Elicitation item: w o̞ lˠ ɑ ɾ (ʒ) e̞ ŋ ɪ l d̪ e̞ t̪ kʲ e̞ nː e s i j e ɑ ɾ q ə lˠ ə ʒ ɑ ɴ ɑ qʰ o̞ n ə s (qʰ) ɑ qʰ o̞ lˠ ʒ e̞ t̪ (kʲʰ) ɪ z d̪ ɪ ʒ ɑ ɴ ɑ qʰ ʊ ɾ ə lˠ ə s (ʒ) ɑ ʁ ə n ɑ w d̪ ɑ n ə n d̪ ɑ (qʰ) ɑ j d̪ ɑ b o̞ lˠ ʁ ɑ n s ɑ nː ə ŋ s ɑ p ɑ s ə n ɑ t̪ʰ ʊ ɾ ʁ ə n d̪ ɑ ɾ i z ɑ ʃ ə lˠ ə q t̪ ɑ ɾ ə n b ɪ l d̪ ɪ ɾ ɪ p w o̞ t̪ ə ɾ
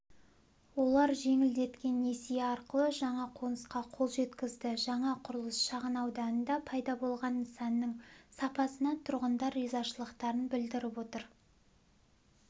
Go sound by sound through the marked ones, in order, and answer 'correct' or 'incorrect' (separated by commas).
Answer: correct, incorrect, incorrect, incorrect, incorrect